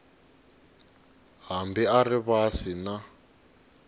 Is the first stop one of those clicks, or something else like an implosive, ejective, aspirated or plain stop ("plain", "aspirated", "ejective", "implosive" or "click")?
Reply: plain